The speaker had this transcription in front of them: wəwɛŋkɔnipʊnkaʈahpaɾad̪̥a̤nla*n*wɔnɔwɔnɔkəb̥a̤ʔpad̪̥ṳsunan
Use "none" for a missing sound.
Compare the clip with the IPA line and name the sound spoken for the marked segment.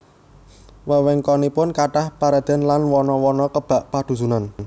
n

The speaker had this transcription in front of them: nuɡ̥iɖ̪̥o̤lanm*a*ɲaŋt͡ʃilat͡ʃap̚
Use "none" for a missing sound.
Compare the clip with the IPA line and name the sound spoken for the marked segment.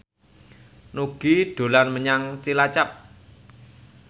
ə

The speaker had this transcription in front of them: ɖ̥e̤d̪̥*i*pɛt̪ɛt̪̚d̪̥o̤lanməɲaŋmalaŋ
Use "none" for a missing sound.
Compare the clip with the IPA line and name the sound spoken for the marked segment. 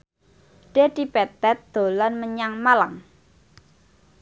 i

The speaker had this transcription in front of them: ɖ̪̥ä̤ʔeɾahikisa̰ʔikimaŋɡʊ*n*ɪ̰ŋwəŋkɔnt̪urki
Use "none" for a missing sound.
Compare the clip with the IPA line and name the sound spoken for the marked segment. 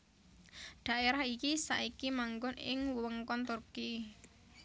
n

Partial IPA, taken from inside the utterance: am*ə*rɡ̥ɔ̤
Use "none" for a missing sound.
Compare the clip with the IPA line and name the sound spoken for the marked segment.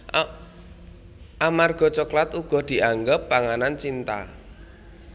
a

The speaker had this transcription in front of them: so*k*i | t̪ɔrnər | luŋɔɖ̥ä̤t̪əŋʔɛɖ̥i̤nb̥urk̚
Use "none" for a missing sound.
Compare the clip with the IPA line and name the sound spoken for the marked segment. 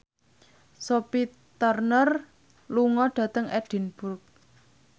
p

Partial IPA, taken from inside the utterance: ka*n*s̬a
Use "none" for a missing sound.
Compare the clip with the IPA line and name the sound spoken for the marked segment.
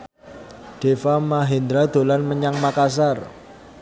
none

